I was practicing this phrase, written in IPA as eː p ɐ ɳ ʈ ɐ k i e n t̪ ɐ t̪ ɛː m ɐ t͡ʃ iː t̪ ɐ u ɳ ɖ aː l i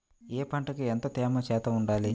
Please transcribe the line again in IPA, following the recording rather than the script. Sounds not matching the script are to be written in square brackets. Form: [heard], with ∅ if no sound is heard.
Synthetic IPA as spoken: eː p ɐ ɳ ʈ ɐ k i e n t̪ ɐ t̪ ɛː m ɐ t͡ʃ [ɛː] t̪ ɐ u ɳ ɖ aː l i